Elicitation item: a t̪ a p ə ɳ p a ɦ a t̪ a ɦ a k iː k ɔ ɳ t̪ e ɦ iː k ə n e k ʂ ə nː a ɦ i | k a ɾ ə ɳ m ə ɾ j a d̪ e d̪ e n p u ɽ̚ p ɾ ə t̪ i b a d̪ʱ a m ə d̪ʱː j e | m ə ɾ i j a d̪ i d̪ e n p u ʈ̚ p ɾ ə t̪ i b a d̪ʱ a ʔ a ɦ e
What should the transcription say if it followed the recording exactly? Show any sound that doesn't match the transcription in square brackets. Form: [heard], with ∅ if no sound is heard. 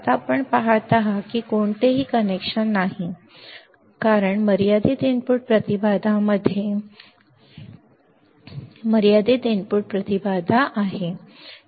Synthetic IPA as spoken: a t̪ a p ə ɳ p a ɦ a t̪ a ɦ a k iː k [o] ɳ t̪ e ɦ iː k ə n e k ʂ ə nː a ɦ i | k a ɾ ə ɳ m ə ɾ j a d̪ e d̪ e n p u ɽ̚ p ɾ ə t̪ i b a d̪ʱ a m ə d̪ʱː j e | m ə ɾ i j a d̪ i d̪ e n p u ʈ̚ p ɾ ə t̪ i b a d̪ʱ a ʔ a ɦ e